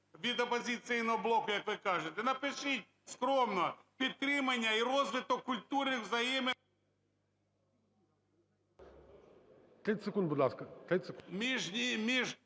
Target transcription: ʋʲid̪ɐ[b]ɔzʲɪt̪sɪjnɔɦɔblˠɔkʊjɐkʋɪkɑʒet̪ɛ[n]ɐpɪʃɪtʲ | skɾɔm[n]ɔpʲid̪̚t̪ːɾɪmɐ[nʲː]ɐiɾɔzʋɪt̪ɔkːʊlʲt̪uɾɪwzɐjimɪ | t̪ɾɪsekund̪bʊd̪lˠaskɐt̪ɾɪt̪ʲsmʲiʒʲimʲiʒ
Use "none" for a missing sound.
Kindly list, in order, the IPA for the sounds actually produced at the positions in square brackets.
p, n, n, nʲː

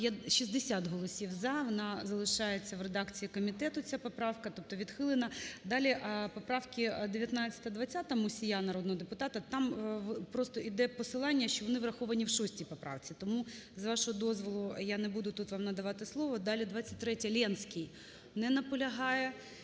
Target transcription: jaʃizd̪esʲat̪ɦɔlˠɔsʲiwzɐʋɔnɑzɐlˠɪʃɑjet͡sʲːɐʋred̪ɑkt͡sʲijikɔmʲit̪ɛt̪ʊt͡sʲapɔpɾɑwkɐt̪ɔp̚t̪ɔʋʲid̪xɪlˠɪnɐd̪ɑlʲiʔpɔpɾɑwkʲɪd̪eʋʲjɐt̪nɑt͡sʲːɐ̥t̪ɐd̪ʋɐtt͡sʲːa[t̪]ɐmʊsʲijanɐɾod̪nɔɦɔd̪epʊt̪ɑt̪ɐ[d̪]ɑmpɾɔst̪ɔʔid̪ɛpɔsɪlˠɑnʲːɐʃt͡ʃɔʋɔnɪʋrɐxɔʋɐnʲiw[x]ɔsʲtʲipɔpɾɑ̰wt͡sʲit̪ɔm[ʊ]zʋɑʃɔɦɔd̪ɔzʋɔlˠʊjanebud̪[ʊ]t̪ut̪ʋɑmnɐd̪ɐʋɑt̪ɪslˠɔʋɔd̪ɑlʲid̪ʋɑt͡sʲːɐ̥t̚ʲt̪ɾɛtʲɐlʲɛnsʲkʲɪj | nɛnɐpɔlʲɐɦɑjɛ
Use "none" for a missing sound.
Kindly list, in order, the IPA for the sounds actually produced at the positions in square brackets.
t̪, t̪, ʃ, u, ʊ

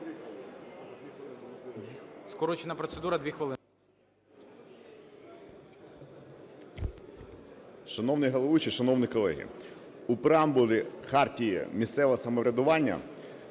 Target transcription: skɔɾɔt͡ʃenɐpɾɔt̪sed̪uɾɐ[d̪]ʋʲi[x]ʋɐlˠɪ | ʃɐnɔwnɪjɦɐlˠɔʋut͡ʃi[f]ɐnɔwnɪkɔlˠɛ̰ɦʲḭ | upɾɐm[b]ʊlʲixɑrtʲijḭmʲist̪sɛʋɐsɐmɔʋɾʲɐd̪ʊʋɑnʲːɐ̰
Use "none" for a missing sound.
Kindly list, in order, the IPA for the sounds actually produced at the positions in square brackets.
d̪, x, ʃ, b

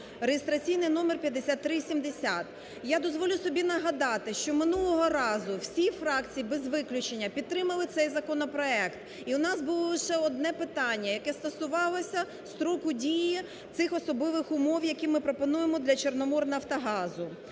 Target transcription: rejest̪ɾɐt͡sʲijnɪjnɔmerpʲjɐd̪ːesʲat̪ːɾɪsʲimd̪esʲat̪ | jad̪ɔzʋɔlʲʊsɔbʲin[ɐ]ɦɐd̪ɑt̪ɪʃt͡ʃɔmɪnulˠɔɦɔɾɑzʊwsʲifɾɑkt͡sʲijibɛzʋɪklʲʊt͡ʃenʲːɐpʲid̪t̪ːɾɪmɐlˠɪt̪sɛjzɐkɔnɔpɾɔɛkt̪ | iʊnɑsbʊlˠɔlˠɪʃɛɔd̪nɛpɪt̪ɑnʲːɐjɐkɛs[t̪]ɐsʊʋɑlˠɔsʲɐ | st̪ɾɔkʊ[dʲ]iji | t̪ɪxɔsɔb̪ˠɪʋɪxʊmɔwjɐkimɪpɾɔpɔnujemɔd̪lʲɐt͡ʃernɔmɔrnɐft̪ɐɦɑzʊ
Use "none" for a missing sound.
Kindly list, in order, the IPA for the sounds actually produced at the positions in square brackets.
ɐ, t̪, dʲ

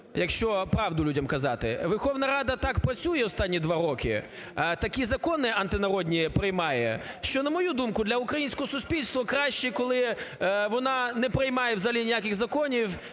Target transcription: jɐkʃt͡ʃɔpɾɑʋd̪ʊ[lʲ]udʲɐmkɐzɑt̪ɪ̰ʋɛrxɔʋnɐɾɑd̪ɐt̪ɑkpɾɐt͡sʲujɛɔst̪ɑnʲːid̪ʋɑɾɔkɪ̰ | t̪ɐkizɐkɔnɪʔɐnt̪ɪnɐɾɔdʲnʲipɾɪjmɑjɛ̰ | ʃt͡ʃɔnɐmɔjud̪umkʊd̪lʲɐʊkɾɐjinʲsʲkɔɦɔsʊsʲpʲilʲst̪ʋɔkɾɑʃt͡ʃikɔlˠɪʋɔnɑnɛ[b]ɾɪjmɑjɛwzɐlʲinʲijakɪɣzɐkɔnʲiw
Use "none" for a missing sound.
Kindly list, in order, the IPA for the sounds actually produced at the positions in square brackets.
lʲ, p

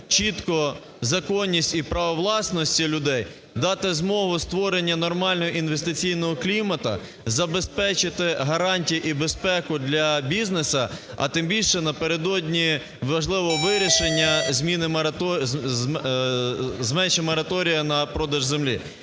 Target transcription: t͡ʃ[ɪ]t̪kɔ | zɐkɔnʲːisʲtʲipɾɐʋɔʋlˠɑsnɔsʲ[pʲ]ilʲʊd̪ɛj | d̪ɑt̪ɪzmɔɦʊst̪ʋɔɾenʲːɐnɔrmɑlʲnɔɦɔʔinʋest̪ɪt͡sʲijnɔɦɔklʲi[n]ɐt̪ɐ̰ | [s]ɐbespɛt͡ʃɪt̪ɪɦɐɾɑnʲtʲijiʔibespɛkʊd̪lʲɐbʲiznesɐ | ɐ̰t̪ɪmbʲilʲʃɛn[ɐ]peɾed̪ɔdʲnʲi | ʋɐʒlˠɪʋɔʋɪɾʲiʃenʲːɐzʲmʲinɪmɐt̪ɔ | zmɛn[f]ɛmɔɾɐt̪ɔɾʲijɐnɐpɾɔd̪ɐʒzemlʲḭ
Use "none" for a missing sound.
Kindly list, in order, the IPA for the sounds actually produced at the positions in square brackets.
i, tʲ, m, z, ɐ, ʃ

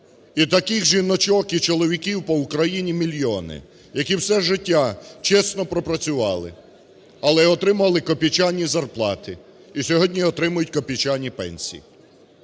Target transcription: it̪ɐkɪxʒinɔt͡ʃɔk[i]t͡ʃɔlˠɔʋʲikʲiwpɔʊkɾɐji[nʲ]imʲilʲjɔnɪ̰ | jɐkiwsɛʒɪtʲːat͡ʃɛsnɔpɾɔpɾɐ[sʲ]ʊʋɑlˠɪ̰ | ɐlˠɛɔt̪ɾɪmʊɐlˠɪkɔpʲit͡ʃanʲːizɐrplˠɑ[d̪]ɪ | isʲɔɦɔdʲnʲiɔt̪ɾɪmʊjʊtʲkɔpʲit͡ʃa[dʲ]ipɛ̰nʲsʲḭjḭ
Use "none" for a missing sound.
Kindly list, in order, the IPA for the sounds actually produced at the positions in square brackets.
i, nʲ, t͡sʲ, t̪, nʲ

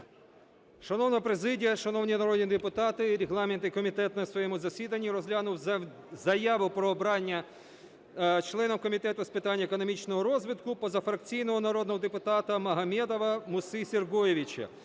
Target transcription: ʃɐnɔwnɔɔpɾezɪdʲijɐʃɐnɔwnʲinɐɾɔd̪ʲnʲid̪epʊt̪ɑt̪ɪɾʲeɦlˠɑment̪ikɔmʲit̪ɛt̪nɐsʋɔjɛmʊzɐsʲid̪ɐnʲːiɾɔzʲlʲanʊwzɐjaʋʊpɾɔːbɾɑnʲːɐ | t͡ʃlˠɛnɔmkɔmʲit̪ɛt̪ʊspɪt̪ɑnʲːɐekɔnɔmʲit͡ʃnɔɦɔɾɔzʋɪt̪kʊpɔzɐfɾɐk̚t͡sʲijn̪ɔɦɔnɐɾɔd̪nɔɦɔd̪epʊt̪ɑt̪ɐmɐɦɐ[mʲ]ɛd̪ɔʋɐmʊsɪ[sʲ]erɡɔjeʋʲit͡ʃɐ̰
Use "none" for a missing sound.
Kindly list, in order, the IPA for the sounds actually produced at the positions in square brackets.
mʲ, sʲ

